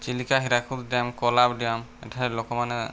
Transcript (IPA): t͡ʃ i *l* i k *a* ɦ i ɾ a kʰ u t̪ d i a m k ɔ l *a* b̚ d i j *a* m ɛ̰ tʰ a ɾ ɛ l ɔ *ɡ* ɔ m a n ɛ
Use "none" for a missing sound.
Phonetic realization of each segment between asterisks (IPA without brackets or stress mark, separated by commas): l, a, a, a, k